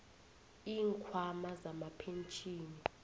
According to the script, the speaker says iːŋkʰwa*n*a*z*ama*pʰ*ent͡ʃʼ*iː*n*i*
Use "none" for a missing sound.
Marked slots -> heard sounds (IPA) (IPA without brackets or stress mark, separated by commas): m, z, pʰ, iː, i